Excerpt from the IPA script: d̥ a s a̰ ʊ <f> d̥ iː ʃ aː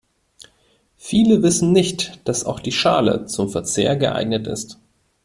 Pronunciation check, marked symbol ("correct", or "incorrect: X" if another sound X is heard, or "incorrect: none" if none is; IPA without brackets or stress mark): incorrect: x